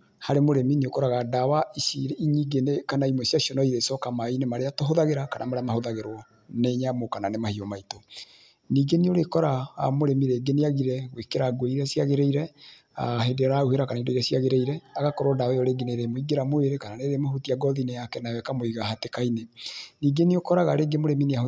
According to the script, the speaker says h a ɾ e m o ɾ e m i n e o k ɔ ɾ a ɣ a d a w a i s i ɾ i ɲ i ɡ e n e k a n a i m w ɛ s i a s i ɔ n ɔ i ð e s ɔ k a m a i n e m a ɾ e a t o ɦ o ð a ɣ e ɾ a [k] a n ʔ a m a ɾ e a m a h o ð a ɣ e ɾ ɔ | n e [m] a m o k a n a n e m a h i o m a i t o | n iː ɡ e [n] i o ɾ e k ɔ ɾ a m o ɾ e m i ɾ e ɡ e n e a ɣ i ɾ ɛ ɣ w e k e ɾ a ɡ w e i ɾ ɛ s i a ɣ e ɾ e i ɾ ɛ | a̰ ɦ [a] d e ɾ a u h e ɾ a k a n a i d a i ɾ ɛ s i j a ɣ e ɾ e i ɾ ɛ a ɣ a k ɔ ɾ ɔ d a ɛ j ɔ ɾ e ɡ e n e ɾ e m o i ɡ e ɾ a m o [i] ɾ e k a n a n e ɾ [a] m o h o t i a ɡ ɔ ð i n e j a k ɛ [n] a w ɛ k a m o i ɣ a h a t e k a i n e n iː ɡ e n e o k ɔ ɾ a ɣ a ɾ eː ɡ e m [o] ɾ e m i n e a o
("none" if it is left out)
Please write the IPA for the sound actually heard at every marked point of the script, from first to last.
k, ɲ, n, e, e, e, n, o

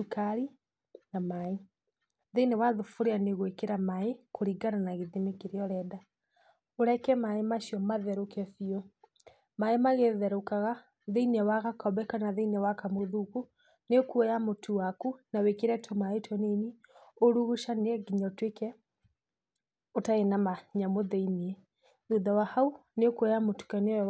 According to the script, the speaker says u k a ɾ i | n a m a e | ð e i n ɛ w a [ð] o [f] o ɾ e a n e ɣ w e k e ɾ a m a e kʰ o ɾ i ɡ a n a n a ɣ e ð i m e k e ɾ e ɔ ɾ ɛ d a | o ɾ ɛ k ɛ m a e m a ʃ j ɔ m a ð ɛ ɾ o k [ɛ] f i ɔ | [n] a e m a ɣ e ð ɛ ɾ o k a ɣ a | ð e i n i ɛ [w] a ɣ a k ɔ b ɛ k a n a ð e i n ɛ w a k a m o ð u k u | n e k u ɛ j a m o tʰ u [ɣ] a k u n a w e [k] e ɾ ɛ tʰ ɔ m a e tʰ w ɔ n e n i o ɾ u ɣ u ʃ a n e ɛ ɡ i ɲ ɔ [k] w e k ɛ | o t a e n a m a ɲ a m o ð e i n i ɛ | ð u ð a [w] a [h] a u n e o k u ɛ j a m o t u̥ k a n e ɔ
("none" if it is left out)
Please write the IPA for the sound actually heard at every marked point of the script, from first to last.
ð, f, ɛ, m, w, w, k, t, w, h

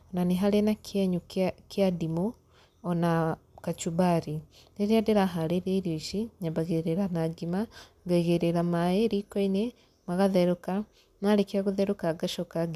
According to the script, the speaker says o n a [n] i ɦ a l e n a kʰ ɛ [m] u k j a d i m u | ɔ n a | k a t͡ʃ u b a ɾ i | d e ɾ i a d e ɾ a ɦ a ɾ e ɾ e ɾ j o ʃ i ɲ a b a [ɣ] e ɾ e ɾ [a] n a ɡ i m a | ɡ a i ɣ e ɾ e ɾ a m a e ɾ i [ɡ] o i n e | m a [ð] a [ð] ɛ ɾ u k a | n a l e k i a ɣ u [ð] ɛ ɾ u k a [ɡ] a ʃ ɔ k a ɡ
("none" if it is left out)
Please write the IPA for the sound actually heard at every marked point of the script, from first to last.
n, ɲ, ɣ, a, k, ɣ, ð, ð, ɡ

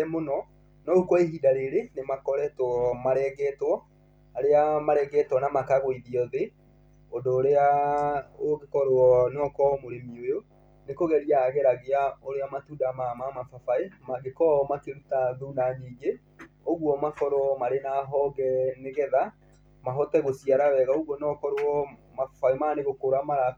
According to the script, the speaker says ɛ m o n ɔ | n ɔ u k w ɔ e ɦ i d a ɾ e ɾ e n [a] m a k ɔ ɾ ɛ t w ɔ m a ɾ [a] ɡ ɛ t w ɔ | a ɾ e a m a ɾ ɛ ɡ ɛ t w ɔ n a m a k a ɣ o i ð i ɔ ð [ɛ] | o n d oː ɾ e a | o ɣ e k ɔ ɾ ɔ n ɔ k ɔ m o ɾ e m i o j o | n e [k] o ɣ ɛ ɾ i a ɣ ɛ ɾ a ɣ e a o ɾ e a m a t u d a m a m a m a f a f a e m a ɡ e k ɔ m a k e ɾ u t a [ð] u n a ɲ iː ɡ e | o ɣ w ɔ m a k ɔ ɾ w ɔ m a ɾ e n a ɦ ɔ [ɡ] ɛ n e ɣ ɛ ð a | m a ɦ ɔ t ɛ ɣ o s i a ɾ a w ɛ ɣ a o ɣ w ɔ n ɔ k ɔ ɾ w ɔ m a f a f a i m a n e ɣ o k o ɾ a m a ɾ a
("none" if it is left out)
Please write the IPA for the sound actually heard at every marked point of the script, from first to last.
e, ɛ, e, k, ð, ɡ

